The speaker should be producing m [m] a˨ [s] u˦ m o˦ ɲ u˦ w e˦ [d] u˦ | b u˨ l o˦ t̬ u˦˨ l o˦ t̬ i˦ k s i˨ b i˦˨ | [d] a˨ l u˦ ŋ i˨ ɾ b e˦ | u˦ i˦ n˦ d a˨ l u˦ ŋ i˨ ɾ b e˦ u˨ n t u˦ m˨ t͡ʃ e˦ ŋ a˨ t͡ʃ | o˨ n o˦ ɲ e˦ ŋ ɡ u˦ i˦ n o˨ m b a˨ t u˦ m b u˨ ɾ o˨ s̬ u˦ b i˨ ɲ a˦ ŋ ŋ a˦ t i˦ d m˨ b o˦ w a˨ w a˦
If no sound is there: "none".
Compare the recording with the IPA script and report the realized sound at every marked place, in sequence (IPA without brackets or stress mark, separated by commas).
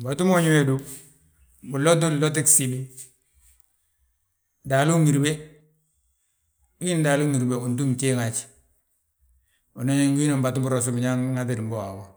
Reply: b, t, d, d